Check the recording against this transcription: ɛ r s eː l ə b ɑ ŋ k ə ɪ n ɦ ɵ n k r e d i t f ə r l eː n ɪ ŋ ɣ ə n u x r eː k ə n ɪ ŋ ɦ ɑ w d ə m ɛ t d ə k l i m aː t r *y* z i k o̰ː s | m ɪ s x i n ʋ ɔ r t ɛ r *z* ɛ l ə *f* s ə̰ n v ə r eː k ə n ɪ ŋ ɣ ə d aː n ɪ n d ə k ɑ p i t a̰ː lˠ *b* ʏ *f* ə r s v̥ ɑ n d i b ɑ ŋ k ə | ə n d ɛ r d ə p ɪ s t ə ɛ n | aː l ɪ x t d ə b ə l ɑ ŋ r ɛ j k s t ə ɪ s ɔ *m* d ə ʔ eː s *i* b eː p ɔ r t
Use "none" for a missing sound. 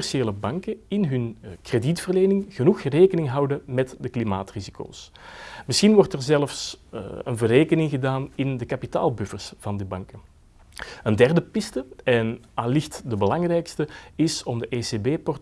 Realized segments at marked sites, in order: i, z, f, b, f, m, e

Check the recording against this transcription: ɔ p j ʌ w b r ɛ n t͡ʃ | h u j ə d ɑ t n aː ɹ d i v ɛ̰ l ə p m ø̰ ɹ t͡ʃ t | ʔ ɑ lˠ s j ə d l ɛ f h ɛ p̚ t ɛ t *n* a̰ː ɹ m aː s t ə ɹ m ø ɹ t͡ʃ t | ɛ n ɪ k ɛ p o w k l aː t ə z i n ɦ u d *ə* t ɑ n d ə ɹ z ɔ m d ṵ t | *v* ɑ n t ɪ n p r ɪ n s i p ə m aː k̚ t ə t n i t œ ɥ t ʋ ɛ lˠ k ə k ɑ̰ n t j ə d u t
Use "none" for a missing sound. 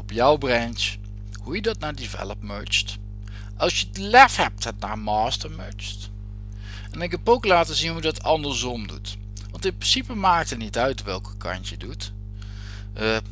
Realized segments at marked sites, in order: n, ɑ, ʋ

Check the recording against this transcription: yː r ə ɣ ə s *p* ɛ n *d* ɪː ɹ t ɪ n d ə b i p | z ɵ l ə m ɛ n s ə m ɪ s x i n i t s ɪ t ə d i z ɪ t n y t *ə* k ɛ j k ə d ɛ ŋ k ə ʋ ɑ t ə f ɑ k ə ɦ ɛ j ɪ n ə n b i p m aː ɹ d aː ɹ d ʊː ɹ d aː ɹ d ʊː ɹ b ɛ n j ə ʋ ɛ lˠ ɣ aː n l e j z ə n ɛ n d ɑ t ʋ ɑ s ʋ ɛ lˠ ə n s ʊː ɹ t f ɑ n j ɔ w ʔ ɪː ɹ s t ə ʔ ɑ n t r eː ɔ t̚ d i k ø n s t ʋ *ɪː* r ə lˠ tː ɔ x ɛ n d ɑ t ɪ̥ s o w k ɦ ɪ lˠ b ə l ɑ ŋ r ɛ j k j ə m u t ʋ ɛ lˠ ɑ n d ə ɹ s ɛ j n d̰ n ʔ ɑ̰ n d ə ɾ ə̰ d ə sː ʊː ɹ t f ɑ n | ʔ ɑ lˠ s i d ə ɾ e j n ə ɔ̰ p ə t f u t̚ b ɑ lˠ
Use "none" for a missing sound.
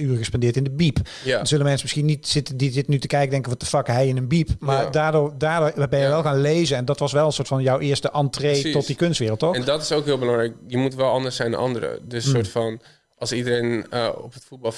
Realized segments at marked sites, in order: p, d, ə, ɪː

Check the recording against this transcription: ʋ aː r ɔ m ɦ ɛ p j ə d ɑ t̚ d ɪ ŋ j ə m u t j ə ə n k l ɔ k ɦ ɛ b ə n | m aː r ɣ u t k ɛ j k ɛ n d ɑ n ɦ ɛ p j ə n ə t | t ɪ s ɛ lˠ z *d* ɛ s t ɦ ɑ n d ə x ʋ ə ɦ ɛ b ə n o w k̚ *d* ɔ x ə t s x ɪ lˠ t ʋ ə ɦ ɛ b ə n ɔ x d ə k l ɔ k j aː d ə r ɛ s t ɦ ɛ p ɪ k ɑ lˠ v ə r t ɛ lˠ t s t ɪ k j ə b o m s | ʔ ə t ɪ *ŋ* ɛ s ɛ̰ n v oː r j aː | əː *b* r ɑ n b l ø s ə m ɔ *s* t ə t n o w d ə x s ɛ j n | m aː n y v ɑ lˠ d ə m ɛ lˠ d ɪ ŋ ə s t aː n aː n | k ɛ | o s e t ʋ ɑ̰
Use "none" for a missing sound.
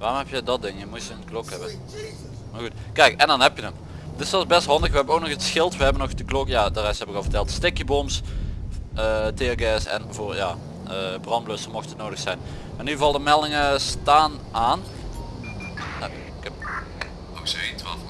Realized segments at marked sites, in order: b, n, ɡ, b, x

